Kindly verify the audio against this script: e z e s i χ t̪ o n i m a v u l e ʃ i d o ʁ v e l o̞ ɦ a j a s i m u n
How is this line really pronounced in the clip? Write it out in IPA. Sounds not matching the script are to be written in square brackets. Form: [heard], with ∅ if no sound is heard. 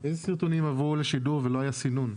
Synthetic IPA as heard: e z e s i [ʁ] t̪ o n i m a v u l e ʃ i d [u] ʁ v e l o̞ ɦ a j a s i [n] u n

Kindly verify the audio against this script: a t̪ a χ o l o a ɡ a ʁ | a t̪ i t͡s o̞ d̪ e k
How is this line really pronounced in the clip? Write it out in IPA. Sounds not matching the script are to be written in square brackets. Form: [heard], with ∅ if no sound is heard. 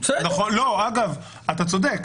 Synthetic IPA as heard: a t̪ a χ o l o a ɡ a [v] | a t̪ [a] t͡s o̞ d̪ e k

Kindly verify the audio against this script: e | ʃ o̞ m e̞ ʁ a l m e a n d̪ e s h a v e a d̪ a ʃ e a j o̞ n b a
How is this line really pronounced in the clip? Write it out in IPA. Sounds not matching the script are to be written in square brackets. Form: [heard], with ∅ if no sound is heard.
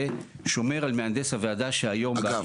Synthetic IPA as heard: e | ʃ o̞ m e̞ ʁ a l m e a n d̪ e s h a v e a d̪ a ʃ e a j o̞ [m] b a

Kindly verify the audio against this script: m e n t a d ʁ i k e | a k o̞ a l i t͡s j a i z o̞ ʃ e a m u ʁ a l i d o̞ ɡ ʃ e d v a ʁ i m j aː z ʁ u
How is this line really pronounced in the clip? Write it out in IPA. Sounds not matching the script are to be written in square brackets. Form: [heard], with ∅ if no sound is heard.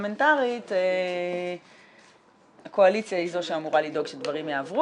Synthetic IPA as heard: m e n t a [∅] ʁ i [t] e | a k o̞ a l i t͡s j a i z o̞ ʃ e a m u ʁ a l i d o̞ ɡ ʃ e d v a ʁ i m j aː [v] ʁ u

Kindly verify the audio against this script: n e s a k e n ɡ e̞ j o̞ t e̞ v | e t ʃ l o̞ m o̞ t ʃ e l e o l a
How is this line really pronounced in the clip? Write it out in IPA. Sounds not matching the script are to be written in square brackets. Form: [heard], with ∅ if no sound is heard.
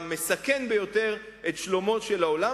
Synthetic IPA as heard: [m] e s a k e n [b] e̞ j o̞ t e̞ [ʁ] | e t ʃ l o̞ m o̞ t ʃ e l [a] o l a

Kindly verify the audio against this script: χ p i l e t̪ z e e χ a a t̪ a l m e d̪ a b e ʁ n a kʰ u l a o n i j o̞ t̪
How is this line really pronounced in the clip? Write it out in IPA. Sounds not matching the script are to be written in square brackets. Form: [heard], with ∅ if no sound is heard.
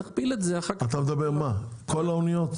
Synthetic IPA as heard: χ p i l e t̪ z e [a] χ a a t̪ a [∅] m e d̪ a b e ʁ [m] a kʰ [o] l a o n i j o̞ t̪

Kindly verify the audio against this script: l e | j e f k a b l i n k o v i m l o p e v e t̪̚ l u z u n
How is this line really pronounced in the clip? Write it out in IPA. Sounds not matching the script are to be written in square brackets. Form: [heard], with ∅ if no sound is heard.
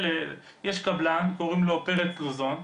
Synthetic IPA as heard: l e | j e [ʃ] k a b l [a] n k o [ʁ] i m l o p e [ʁ] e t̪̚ l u z [o] n

